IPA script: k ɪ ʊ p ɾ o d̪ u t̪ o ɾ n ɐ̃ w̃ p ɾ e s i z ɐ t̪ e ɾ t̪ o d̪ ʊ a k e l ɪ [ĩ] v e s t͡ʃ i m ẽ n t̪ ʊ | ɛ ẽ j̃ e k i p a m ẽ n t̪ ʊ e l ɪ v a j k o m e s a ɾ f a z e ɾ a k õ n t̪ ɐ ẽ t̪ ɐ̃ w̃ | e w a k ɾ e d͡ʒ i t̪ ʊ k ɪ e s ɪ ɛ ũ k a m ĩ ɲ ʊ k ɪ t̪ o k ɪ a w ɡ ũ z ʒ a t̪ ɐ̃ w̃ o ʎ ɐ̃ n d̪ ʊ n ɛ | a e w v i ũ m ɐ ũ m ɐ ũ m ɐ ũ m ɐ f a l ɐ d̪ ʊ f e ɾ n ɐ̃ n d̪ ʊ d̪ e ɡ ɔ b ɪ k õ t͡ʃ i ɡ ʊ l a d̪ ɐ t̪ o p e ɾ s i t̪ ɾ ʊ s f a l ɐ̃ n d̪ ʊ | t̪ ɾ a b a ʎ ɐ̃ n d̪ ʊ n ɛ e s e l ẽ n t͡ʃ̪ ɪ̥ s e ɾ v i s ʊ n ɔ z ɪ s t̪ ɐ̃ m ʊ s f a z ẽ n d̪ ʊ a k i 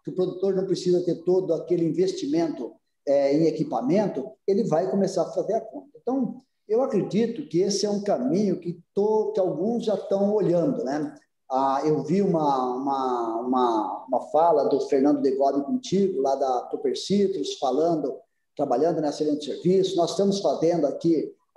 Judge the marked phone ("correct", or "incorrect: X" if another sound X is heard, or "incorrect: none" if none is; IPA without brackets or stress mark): correct